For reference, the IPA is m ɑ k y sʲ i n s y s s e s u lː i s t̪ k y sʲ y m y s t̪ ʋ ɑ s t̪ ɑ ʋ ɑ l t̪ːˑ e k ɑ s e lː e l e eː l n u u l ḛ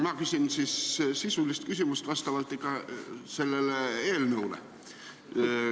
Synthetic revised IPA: m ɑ k y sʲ i n s i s s i s u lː i s t̪ k y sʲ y m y s t̪ ʋ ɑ s t̪ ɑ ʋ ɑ l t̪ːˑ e k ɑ s e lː e l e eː l n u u l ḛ